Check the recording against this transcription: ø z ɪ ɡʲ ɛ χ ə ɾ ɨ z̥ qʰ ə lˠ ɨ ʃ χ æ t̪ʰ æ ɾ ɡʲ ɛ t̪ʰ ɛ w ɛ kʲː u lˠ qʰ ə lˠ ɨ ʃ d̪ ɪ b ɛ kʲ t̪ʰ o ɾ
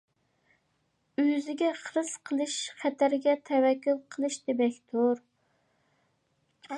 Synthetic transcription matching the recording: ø z ɪ ɡʲ ɛ χ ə ɾ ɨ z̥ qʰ ə lˠ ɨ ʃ χ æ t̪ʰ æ ɾ ɡʲ ɛ t̪ʰ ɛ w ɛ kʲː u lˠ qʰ ə lˠ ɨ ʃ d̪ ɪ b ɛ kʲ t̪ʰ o ɾ